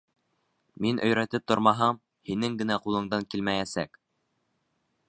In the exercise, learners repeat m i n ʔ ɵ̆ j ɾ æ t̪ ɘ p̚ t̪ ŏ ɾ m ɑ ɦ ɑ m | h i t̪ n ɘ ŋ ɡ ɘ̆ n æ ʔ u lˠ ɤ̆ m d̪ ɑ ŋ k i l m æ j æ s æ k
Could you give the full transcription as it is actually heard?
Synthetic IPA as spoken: m i n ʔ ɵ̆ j ɾ æ t̪ ɘ p̚ t̪ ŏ ɾ m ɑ ɦ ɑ m | h i n ɘ ŋ ɡ ɘ̆ n æ q u lˠ ɤ̆ ɴ d̪ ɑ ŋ k i l m æ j æ s æ k